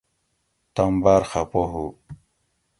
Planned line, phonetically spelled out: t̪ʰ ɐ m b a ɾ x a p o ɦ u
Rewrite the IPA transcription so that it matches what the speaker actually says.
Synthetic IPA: t̪ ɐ m b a ɾ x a p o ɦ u